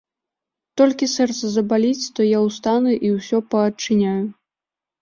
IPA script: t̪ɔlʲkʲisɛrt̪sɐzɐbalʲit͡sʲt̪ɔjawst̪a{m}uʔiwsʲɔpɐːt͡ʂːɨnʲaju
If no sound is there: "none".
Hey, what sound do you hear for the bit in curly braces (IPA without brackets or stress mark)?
n